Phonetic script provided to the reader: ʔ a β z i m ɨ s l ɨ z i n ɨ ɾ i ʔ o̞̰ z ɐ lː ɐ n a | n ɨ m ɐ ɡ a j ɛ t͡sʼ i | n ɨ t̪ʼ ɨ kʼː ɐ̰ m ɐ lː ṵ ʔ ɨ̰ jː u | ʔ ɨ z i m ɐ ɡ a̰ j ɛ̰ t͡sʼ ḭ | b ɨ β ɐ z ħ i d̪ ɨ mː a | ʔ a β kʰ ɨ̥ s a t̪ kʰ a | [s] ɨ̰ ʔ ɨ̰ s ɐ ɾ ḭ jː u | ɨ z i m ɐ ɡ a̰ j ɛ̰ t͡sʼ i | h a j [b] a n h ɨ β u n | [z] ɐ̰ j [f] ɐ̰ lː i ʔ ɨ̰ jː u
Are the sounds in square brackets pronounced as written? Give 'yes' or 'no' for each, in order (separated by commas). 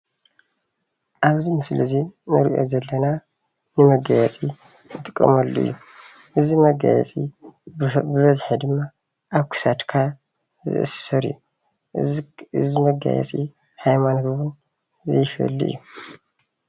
no, no, yes, yes